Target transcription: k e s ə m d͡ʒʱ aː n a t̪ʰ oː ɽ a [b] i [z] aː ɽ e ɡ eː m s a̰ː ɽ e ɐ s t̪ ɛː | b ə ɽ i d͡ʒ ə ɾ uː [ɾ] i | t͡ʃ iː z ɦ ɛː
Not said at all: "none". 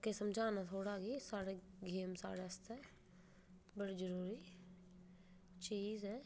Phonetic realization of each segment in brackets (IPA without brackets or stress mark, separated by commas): ɡ, s, ɾ